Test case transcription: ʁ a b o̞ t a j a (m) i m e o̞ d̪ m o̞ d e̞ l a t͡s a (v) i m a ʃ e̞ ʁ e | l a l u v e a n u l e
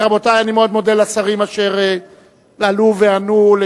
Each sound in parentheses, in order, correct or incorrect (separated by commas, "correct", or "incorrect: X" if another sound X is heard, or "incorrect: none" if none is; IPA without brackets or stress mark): incorrect: n, incorrect: ʁ